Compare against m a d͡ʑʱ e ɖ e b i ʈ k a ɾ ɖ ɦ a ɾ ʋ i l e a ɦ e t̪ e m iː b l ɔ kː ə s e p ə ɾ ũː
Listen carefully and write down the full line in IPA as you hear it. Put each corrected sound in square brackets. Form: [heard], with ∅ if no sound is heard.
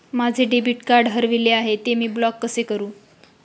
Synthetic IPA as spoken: m a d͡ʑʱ e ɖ e b i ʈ k a ɾ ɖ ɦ [ə] ɾ ʋ i l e a ɦ e t̪ e m iː b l ɔ kː ə s e [k] ə ɾ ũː